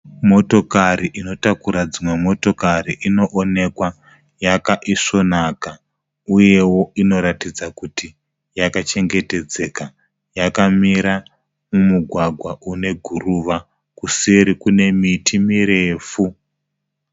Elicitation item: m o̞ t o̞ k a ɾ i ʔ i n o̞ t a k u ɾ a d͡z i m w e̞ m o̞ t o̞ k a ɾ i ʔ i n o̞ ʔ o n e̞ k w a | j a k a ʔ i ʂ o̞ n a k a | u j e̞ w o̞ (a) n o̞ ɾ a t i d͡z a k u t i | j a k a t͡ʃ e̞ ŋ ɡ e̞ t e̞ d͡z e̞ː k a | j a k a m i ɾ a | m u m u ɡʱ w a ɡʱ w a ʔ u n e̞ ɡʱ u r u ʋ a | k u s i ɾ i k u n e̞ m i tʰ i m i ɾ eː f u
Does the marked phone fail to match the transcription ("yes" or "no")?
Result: yes